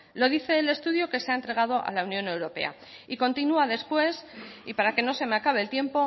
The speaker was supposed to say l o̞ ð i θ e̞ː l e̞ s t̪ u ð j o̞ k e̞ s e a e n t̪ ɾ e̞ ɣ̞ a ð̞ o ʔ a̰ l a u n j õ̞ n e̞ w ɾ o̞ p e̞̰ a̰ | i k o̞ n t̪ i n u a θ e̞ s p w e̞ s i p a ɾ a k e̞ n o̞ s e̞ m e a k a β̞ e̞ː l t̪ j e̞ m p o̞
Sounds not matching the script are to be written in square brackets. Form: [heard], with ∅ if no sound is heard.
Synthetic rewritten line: l o̞ ð i θ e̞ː l e̞ s t̪ u ð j o̞ k e̞ s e a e n t̪ ɾ e̞ ɣ̞ a ð̞ o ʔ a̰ l a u n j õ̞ n e̞ w ɾ o̞ p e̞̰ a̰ | i k o̞ n t̪ i n u a [ð] e̞ s p w e̞ s i p a ɾ a k e̞ n o̞ s e̞ m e a k a β̞ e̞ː l t̪ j e̞ m p o̞